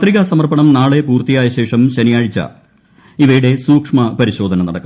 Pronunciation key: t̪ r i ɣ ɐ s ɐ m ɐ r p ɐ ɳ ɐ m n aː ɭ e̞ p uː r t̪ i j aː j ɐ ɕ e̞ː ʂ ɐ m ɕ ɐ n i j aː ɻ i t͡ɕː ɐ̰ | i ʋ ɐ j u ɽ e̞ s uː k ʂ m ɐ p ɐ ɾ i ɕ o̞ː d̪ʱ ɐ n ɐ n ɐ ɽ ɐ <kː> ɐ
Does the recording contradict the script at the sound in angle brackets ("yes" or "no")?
no